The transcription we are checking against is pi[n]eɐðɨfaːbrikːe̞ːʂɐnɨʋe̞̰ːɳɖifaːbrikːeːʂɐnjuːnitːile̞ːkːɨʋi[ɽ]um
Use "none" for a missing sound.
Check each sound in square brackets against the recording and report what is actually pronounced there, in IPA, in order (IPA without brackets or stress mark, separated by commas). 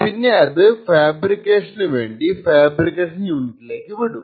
nː, ɽ